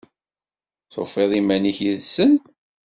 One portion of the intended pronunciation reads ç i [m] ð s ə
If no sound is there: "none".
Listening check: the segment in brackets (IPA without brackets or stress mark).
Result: none